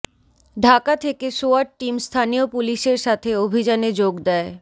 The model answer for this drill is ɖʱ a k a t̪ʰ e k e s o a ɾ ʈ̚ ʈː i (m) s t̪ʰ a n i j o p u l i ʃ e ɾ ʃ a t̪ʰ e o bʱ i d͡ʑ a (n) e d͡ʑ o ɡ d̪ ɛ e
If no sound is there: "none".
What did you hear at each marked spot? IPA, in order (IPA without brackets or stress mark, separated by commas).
m, n